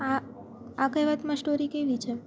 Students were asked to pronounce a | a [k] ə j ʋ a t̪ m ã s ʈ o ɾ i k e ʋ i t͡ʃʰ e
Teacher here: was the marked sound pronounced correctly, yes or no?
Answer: yes